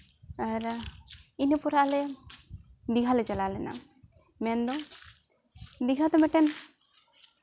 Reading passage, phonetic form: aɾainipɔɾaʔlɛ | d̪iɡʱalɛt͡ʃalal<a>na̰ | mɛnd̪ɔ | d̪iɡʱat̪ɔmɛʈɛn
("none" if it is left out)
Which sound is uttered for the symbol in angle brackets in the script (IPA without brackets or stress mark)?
ɛ